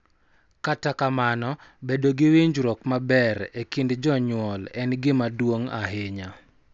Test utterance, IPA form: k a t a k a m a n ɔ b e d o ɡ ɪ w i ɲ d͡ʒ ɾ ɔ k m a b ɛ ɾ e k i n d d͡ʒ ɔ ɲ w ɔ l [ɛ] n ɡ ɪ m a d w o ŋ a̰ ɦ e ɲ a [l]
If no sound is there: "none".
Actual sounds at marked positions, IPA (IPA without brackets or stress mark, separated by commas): ɛ, none